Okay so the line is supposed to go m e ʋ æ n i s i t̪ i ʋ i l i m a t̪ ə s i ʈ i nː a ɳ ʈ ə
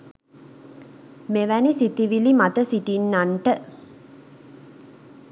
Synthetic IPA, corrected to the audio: m e ʋ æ n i s i t̪ i ʋ i l i m a t̪ ə s i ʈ i nː a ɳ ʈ ə